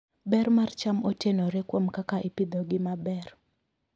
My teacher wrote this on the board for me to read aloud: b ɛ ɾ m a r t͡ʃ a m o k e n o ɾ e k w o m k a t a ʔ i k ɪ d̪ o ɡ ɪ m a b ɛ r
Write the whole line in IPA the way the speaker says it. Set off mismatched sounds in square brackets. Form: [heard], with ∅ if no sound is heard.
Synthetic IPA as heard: b ɛ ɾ m a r t͡ʃ a m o [t] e n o ɾ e k w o m k a [k] a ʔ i [p] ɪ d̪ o ɡ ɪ m a b ɛ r